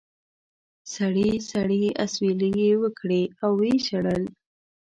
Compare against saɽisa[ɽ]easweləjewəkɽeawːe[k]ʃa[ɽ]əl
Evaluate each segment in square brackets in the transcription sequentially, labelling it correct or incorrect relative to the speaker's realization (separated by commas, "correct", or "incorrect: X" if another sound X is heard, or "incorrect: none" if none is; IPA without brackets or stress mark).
correct, incorrect: none, correct